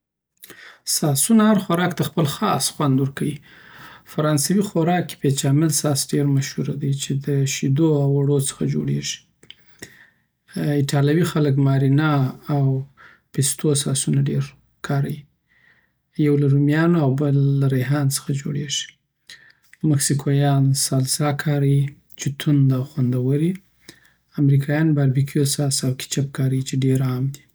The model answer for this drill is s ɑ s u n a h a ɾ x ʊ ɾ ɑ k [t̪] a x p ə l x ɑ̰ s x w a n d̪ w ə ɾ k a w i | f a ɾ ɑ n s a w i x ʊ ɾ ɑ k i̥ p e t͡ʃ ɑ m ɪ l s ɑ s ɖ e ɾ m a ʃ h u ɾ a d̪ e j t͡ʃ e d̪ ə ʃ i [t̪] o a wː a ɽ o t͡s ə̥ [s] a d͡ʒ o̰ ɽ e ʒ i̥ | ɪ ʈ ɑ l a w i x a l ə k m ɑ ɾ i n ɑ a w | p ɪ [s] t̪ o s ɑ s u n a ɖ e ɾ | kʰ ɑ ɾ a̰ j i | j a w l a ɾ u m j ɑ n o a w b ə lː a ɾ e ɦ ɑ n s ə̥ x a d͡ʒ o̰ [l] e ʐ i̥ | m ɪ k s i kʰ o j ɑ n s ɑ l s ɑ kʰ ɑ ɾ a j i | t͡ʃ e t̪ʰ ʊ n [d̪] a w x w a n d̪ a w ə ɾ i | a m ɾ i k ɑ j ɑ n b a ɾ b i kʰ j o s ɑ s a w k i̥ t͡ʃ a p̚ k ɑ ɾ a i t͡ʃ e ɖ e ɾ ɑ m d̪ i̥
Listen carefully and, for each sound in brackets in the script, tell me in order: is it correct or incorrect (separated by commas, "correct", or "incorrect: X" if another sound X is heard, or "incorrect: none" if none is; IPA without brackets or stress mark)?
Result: correct, incorrect: d̪, incorrect: x, correct, incorrect: ɽ, correct